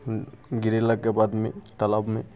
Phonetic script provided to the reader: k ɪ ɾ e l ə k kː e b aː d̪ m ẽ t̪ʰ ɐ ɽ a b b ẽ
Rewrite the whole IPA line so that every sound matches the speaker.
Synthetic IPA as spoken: ɡ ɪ ɾ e l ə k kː e b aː d̪ m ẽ t̪ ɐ l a b m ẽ

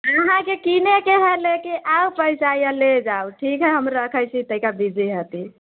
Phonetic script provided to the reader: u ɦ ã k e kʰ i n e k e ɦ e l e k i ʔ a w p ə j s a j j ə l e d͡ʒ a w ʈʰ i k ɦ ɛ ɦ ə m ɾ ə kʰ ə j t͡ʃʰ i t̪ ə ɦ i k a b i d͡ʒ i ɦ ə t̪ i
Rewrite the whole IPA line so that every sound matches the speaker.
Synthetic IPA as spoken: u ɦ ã k e k i n e k e ɦ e l e k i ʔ a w p ə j s a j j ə l e d͡ʒ a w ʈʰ i k ɦ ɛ ɦ ə m ɾ ə kʰ ə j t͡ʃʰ i t̪ ə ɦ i k a b i d͡ʒ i ɦ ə t̪ i

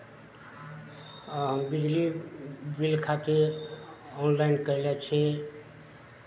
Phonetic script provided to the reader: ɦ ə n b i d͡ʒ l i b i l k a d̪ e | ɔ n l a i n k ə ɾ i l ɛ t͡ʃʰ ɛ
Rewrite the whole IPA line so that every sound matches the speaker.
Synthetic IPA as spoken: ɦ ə m b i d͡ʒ l i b i l kʰ a t̪ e | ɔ n l a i n k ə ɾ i l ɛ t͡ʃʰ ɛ

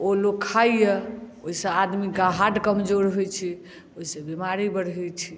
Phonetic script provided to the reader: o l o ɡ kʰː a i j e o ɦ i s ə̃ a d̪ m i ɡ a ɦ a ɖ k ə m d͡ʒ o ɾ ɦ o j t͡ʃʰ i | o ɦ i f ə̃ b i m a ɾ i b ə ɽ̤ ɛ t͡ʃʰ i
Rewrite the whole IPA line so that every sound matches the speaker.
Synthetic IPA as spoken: o l o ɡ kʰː a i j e o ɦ i s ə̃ a d̪ m i ɡ a ɦ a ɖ k ə m d͡ʒ o ɾ ɦ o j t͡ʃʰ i | o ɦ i s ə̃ b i m a ɾ i b ə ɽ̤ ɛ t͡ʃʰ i

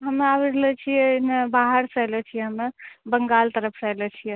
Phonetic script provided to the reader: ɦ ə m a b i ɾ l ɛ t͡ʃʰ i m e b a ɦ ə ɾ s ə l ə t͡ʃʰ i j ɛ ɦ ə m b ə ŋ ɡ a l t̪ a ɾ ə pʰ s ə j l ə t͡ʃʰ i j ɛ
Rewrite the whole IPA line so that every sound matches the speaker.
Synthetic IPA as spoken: ɦ ə m a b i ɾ l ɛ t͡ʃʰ i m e b a ɦ ə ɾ s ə l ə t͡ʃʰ i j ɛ ɦ ə m b ə ŋ ɡ a l t̪ ə ɾ ə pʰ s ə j l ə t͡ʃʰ i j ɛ

